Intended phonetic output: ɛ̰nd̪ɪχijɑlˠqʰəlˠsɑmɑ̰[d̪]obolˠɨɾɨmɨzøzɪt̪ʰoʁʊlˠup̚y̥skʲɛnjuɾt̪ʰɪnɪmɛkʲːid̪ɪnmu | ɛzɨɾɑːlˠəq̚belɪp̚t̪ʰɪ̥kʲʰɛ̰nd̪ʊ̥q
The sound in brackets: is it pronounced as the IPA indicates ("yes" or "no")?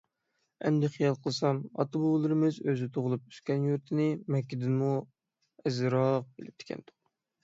no